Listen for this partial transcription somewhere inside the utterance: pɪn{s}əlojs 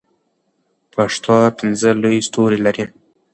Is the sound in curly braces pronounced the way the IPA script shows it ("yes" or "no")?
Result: no